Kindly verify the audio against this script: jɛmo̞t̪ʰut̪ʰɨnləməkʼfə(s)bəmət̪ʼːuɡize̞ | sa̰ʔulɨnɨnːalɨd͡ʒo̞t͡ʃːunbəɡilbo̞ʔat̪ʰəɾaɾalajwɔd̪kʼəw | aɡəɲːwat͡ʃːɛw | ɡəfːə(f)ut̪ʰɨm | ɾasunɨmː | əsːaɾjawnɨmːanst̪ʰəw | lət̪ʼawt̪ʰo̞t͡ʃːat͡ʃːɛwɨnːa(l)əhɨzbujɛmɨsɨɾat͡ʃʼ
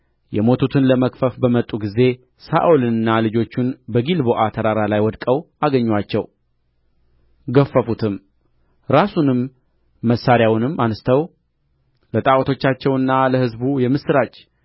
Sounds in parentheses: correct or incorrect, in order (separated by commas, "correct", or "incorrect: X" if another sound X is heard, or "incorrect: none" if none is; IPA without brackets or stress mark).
incorrect: f, correct, correct